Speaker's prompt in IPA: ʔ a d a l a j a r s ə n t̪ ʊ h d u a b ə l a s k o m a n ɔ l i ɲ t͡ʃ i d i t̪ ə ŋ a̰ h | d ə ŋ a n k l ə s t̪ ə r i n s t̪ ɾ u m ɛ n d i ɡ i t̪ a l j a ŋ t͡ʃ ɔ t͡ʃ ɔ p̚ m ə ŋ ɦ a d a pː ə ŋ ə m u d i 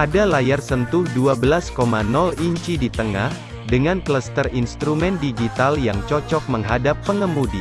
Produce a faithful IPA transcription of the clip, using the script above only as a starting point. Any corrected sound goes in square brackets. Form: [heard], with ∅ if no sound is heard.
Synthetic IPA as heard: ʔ a d a l a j a r s ə n t̪ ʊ h d u a b ə l a s k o m a n ɔ l i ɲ t͡ʃ i d i t̪ ə ŋ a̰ h | d ə ŋ a n k l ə s t̪ ə r i n s t̪ ɾ u m ɛ n d i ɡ i t̪ a l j a ŋ t͡ʃ ɔ t͡ʃ ɔ [k̚] m ə ŋ ɦ a d a pː ə ŋ ə m u d i